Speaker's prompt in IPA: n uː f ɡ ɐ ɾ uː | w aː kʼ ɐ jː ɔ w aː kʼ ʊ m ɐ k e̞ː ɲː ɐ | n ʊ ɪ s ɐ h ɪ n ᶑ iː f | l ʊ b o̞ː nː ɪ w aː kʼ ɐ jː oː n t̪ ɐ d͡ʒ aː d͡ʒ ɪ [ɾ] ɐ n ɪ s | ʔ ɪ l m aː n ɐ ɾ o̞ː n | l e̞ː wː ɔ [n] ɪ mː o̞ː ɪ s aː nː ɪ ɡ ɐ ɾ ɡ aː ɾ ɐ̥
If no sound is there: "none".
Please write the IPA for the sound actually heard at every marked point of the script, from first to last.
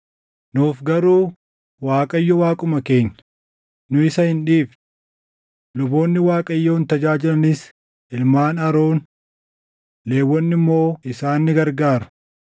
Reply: l, nː

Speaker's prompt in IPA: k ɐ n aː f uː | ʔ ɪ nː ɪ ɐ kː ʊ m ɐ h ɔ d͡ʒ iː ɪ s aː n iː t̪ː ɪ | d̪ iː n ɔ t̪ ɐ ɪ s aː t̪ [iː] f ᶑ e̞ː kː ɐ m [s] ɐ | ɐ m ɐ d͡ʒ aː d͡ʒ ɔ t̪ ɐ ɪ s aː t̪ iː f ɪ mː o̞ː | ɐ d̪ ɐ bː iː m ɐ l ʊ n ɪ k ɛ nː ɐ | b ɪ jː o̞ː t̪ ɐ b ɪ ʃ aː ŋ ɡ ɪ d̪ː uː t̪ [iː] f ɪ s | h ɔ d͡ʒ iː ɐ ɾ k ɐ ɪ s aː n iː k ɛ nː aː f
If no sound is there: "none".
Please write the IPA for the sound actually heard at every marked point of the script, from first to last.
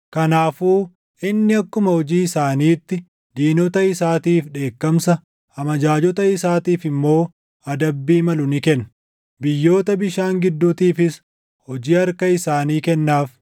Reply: iː, s, iː

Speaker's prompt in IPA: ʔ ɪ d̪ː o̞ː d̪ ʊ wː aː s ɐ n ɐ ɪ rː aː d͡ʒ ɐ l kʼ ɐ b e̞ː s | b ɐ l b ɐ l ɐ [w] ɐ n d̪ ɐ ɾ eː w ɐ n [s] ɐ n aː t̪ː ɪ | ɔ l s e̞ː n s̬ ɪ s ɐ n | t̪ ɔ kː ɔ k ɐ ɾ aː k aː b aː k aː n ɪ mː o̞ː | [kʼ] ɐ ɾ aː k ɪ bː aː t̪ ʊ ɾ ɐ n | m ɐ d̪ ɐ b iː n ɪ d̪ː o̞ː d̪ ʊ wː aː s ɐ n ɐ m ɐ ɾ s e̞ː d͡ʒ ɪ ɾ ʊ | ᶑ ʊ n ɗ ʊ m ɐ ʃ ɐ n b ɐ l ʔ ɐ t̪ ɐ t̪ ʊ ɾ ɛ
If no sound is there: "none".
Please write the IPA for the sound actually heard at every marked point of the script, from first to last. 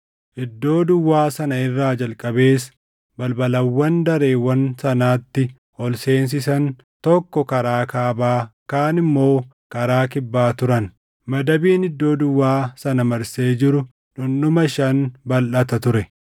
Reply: wː, s, k

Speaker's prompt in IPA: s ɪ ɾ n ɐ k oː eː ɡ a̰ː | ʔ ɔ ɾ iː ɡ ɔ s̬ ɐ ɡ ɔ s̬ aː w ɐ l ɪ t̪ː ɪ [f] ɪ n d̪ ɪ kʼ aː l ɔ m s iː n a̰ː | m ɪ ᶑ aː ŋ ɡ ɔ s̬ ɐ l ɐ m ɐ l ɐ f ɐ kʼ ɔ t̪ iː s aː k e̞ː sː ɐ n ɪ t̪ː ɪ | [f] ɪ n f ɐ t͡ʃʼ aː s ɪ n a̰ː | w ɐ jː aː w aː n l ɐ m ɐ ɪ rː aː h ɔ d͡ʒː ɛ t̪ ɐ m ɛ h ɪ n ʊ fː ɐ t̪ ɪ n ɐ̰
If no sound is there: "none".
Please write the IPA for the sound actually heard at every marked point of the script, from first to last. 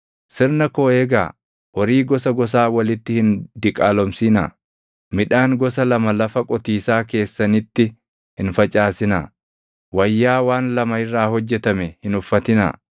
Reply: h, h

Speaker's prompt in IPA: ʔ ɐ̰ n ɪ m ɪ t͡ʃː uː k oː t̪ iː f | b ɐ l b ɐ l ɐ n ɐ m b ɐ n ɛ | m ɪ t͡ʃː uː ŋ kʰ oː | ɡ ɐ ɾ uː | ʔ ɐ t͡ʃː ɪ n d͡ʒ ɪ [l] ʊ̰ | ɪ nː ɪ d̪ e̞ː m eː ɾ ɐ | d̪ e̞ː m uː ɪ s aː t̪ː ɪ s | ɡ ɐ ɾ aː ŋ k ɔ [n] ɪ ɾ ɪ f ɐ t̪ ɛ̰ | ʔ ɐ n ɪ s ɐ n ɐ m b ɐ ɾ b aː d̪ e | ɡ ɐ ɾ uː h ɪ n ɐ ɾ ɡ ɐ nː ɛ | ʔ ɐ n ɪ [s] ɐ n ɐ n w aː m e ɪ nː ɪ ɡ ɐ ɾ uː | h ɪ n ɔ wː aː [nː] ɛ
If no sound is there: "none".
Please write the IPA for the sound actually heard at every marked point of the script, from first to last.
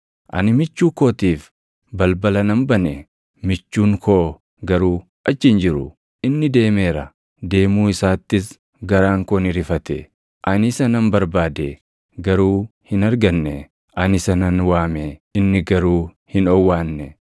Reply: ɾ, n, s, nː

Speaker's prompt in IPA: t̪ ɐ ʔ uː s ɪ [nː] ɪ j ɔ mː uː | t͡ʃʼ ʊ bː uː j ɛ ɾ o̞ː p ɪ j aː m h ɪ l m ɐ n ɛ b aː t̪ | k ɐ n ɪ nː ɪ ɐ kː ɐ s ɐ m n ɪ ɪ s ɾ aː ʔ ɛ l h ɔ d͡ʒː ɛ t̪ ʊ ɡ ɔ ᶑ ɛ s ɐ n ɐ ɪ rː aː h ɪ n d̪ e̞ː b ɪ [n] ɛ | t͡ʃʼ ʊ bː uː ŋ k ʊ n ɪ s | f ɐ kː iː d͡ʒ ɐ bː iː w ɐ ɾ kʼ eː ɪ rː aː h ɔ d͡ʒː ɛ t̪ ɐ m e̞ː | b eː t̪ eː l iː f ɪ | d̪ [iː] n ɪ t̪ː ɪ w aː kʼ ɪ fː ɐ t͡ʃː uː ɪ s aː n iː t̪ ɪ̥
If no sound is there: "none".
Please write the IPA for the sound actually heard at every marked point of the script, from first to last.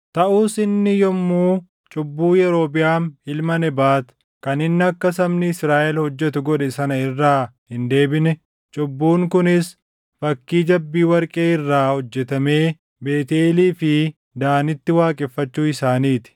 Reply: nː, n, aː

